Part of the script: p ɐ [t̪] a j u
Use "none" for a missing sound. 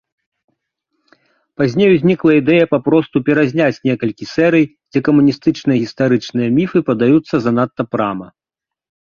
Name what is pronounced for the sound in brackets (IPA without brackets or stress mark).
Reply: d̪